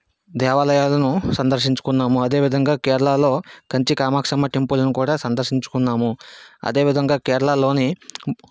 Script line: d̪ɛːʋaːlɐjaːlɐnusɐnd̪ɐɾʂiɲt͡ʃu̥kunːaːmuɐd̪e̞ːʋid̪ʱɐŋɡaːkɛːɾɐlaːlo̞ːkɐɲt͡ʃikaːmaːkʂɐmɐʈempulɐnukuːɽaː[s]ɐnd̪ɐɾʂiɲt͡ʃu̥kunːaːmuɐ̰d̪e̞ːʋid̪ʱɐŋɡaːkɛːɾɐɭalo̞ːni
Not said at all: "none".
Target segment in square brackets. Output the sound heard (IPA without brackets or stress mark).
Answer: s